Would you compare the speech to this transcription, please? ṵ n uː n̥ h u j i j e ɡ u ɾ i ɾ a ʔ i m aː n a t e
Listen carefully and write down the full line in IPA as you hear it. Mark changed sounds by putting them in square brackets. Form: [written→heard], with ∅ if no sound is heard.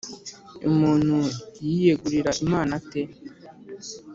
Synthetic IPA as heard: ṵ [n→m] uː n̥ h u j i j e ɡ u ɾ i ɾ a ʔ i m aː n a t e